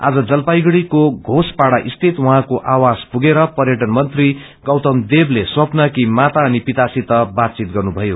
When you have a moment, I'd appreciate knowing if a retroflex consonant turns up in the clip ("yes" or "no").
yes